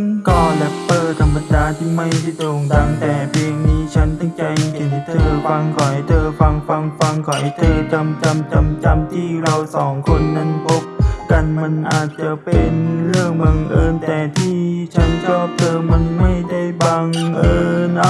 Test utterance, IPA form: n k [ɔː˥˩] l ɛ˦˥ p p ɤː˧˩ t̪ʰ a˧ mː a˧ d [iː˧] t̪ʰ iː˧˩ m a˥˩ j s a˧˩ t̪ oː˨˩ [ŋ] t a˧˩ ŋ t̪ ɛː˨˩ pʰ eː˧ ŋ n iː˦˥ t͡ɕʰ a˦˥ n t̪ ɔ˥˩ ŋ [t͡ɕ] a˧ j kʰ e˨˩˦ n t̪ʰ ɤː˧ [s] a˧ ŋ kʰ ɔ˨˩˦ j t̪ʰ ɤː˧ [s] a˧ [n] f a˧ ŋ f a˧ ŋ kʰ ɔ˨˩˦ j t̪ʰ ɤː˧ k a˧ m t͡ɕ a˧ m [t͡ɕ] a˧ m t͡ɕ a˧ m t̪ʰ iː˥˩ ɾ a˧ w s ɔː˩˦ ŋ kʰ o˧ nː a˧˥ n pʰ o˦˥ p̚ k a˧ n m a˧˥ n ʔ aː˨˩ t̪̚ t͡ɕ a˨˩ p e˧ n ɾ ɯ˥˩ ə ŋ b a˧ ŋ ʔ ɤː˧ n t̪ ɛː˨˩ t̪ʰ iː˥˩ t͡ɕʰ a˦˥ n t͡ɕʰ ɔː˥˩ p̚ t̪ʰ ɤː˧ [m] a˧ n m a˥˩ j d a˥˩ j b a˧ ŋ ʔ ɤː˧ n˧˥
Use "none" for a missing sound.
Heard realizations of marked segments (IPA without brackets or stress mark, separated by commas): ɔː˧, aː˧, ŋ, t͡ɕ, f, f, ŋ, t͡ɕ, m